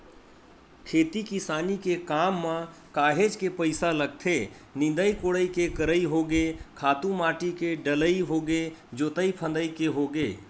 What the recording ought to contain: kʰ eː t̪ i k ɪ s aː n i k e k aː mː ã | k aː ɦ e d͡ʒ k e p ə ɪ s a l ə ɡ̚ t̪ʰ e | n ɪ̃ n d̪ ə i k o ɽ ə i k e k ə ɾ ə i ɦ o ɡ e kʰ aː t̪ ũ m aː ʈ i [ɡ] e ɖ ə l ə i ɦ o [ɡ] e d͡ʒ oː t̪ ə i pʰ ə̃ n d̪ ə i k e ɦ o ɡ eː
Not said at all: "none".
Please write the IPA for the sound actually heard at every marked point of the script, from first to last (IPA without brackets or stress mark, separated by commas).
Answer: k, ɡ